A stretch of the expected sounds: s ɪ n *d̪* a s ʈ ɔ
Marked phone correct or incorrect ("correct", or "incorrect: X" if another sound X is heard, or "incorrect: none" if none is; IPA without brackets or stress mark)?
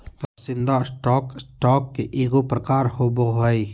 correct